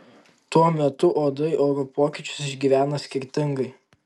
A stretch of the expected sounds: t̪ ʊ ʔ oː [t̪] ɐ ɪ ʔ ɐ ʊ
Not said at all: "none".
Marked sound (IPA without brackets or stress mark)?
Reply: d̪